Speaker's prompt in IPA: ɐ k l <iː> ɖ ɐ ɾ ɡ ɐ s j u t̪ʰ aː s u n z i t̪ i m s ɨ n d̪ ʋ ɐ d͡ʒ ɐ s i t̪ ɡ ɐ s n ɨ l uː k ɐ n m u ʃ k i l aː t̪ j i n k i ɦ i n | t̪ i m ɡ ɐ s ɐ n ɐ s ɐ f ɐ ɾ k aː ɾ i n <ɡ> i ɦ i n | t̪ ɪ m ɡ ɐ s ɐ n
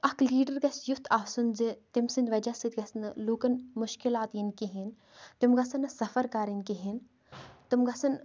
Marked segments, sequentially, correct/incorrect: correct, incorrect

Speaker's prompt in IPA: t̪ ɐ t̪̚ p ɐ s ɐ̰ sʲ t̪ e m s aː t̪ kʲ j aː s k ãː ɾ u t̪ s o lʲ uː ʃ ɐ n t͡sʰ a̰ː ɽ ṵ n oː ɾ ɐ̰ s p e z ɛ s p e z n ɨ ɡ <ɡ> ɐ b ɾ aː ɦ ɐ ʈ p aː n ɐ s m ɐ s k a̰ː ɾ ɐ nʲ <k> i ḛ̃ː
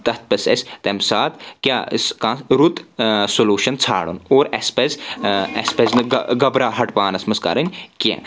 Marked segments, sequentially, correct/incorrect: correct, correct

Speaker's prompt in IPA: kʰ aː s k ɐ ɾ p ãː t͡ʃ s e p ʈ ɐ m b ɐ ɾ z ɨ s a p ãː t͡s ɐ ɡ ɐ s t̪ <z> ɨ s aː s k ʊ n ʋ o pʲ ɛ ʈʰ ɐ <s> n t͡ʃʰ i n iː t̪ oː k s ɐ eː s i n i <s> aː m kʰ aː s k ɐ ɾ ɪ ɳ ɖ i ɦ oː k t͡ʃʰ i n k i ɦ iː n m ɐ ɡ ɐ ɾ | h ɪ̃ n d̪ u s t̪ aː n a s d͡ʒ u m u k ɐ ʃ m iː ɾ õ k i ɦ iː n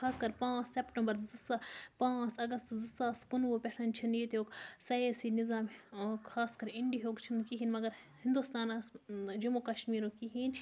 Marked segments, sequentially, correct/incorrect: correct, incorrect, incorrect

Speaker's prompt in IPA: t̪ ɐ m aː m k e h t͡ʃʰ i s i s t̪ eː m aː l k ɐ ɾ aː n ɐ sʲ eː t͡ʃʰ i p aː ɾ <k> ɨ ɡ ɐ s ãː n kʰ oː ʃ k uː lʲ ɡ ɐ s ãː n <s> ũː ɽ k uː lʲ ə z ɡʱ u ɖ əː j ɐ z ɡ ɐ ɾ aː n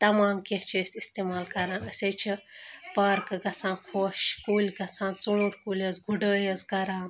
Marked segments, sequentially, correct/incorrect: correct, incorrect

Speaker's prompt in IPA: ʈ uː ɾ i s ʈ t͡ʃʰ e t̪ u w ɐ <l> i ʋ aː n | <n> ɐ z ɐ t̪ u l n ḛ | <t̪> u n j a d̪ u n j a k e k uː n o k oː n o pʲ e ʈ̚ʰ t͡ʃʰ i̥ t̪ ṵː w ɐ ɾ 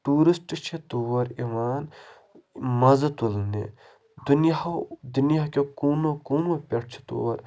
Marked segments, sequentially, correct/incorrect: incorrect, incorrect, incorrect

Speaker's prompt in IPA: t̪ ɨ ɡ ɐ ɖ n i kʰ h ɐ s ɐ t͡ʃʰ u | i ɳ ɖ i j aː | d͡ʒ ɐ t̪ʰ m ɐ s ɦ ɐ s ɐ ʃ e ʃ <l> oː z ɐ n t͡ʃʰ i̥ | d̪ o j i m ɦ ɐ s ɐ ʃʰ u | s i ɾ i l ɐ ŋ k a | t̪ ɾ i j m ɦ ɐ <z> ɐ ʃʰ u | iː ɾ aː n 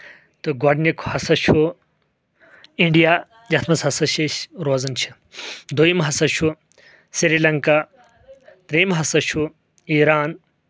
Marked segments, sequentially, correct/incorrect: incorrect, incorrect

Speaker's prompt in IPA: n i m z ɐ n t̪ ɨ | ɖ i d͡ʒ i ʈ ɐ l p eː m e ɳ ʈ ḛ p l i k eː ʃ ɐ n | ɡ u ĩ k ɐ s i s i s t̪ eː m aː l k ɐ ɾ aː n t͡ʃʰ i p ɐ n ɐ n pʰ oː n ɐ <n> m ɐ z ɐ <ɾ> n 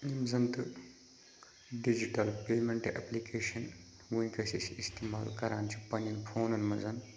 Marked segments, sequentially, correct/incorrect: correct, incorrect

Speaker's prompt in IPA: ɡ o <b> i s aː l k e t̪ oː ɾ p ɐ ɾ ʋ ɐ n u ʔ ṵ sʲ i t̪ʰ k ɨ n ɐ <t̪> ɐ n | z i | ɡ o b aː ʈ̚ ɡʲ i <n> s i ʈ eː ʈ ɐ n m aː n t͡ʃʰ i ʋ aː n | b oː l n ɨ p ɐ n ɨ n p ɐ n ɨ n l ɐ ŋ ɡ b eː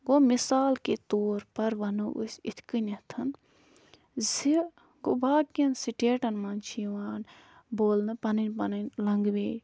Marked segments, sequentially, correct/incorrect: incorrect, incorrect, correct

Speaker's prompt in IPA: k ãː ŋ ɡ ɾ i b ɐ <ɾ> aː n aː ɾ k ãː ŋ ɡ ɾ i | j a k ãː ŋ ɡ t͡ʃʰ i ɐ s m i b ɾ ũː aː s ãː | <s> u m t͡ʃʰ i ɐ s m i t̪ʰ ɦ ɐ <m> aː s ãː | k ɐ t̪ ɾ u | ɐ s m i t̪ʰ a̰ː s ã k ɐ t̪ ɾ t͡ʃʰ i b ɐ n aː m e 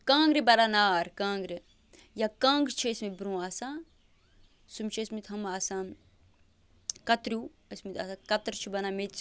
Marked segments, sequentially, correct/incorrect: correct, correct, correct

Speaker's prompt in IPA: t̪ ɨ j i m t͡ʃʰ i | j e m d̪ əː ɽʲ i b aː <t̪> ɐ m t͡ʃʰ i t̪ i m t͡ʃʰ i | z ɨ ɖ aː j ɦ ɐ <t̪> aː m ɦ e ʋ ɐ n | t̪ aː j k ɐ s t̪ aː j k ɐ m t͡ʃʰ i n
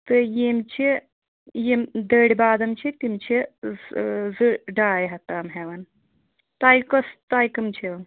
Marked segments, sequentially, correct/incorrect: incorrect, correct

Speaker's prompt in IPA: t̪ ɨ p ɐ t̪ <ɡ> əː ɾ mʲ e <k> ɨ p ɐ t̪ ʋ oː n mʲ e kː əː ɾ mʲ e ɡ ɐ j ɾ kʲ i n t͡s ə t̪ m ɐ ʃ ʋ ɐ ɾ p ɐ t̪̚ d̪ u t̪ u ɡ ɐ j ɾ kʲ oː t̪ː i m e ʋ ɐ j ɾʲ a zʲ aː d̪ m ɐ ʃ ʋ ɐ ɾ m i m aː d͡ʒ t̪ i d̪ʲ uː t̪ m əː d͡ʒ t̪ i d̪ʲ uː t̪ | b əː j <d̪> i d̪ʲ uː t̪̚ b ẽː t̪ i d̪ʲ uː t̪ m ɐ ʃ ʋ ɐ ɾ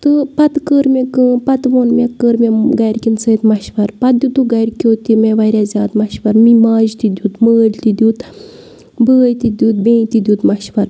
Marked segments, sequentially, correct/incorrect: incorrect, correct, incorrect

